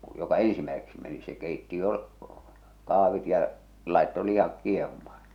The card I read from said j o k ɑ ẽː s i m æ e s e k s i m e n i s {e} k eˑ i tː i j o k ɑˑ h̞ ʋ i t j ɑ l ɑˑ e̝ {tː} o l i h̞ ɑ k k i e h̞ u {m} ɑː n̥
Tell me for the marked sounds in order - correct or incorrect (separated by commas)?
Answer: correct, correct, correct